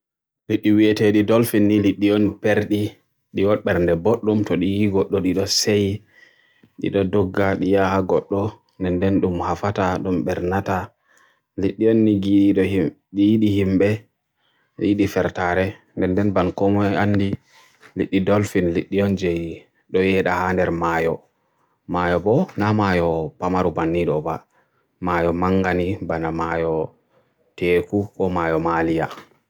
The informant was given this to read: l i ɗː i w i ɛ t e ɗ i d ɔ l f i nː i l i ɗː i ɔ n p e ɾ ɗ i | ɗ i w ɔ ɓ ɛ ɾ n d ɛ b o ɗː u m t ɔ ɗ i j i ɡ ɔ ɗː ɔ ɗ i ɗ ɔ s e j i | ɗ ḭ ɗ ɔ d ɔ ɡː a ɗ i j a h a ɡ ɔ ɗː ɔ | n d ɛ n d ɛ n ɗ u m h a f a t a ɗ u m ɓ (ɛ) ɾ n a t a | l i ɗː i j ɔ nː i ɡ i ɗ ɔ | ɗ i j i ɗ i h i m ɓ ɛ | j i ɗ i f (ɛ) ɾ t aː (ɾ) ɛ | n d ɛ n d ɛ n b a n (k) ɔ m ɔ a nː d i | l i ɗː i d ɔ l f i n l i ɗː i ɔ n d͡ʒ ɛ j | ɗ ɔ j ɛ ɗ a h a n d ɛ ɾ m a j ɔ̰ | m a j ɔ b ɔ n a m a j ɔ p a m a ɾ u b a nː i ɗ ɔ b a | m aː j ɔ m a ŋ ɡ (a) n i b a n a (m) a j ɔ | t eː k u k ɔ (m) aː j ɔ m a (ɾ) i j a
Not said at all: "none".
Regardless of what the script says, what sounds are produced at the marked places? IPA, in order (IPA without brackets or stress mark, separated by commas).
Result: ɛ, ɛ, ɾ, k, a, m, m, l